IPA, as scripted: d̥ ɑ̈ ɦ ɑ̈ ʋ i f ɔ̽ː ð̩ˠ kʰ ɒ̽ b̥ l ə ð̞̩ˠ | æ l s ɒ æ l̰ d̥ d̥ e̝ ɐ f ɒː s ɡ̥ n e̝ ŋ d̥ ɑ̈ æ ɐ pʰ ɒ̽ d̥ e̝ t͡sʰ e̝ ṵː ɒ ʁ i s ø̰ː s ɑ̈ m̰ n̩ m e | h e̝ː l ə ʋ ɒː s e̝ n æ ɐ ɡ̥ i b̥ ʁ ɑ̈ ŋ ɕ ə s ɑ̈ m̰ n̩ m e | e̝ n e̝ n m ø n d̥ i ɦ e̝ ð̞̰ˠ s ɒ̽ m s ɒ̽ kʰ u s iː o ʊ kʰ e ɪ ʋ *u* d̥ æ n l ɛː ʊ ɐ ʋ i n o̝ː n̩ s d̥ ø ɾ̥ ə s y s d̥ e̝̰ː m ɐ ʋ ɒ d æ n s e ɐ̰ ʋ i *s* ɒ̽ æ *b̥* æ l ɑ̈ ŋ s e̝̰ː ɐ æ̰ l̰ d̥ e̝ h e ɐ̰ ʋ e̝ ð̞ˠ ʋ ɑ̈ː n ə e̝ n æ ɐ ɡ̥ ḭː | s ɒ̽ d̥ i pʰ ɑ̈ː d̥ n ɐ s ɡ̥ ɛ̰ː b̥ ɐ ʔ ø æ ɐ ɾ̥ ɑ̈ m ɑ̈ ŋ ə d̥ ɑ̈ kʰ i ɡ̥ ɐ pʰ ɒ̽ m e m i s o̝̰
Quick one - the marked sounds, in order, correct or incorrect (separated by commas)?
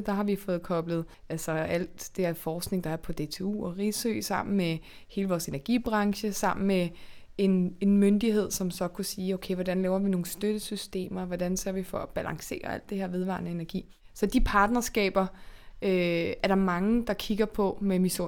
incorrect, incorrect, correct